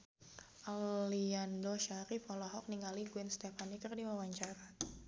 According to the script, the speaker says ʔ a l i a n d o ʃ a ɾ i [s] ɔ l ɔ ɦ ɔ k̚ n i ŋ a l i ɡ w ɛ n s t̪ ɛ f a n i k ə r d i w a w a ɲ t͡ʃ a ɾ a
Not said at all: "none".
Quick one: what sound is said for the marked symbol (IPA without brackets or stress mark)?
f